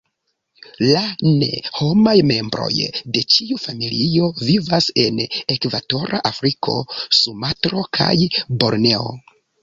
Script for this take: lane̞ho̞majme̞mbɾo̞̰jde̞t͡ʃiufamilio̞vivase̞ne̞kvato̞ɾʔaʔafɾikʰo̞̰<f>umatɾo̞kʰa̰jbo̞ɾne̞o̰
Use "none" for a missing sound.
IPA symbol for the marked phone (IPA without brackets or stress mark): s